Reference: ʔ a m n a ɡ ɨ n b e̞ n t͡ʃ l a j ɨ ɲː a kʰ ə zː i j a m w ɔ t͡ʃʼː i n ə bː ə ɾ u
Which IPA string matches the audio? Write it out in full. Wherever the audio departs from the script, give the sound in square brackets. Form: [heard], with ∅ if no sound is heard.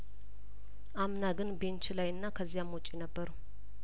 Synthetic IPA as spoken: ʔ a m n a ɡ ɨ n b e̞ n t͡ʃ l a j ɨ [nː] a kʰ ə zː i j a m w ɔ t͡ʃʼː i n ə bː ə ɾ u